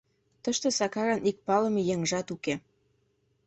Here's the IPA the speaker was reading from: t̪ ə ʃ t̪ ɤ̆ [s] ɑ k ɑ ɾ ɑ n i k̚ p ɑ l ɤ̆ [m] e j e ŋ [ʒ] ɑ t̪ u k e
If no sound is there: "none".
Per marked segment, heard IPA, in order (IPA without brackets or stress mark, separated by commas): s, m, ʒ